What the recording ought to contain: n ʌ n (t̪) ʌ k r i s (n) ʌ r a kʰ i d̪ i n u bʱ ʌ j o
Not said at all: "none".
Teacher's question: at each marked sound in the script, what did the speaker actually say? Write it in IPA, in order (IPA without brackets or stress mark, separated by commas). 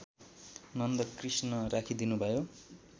d̪, n